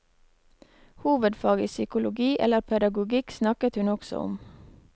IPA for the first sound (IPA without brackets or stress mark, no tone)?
h